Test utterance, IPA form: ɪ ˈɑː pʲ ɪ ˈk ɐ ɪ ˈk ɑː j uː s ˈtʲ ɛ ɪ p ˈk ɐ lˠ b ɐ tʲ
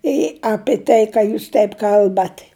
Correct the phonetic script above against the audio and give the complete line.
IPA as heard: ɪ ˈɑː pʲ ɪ ˈt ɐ ɪ ˈk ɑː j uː s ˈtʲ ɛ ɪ p ˈk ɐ lˠ b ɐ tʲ